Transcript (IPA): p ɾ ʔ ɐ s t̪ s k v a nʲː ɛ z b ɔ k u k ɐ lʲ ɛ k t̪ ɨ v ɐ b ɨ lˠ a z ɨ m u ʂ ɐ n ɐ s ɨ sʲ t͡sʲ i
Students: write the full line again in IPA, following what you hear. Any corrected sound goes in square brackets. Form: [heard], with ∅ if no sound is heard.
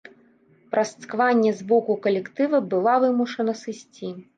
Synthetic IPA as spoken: p ɾ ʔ ɐ s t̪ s k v a nʲː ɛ z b ɔ k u k ɐ lʲ ɛ k t̪ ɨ v ɐ b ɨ lˠ a [v] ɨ m u ʂ ɐ n ɐ s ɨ sʲ t͡sʲ i

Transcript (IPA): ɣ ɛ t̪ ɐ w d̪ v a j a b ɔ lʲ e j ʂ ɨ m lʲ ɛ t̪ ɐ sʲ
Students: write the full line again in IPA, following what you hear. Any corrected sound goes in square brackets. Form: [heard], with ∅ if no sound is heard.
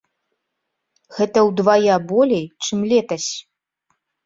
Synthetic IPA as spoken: ɣ ɛ t̪ ɐ w d̪ v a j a b ɔ lʲ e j [t͡ʂ] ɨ m lʲ ɛ t̪ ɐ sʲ

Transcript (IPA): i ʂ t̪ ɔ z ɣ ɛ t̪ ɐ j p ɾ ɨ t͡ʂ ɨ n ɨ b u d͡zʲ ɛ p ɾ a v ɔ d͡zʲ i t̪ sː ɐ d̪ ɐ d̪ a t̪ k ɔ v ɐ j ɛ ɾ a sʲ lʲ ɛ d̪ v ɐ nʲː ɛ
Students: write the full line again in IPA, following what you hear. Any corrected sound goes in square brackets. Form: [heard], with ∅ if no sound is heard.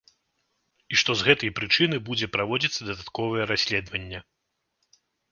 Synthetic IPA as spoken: i ʂ t̪ ɔ z ɣ ɛ t̪ ɐ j p ɾ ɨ t͡ʂ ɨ n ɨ b u d͡zʲ ɛ p ɾ a v ɔ d͡zʲ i t̪ sː ɐ d̪ ɐ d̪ a t̪ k ɔ v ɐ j ɛ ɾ a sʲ lʲ ɛ d̪ v ɐ nʲː ɛ

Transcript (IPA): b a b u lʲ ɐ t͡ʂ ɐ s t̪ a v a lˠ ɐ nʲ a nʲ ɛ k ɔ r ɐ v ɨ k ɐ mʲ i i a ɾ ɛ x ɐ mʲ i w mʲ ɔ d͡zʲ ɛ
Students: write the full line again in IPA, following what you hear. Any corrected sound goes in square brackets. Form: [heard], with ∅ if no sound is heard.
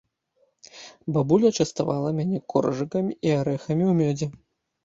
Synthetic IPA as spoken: b a b u lʲ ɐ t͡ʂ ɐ s t̪ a v a lˠ ɐ [mʲ] a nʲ ɛ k ɔ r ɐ [ʐ] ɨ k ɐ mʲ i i a ɾ ɛ x ɐ mʲ i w mʲ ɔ d͡zʲ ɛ

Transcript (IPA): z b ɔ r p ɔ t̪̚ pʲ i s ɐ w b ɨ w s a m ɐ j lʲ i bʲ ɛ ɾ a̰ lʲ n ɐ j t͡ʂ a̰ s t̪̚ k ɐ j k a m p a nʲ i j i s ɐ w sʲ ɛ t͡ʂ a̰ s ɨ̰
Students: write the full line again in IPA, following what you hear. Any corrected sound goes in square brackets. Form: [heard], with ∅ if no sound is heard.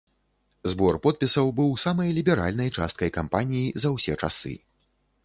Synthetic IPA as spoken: z b ɔ r p ɔ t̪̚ pʲ i s ɐ w b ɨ w s a m ɐ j lʲ i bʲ ɛ ɾ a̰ lʲ n ɐ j t͡ʂ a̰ s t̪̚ k ɐ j k a m p a nʲ i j i [z] ɐ w sʲ ɛ t͡ʂ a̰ s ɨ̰

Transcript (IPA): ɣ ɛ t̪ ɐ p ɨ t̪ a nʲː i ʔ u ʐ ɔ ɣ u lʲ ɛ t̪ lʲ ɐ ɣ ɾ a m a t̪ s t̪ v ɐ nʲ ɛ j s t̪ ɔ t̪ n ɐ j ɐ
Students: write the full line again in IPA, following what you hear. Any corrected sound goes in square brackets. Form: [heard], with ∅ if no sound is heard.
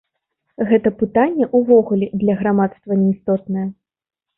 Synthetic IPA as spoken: ɣ ɛ t̪ ɐ p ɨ t̪ a nʲː [ɛ] ʔ u [v] ɔ ɣ u lʲ ɛ [d̪] lʲ ɐ ɣ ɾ a m a t̪ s t̪ v ɐ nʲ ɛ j s t̪ ɔ t̪ n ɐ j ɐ

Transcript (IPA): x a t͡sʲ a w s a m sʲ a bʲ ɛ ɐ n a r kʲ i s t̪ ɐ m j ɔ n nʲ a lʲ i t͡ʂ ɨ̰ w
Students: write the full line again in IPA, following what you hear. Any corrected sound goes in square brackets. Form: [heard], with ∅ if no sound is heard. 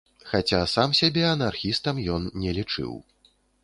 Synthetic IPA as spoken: x a t͡sʲ a [∅] s a m sʲ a bʲ ɛ ɐ n a r [xʲ] i s t̪ ɐ m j ɔ n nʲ [ɛ] lʲ i t͡ʂ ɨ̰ w

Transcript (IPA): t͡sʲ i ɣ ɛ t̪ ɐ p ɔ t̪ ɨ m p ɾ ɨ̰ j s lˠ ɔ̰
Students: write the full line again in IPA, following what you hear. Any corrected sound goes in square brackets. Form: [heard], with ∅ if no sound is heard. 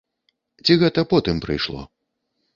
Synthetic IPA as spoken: t͡sʲ i ɣ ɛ t̪ ɐ p ɔ t̪ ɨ m p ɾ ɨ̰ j [ʂ] lˠ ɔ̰

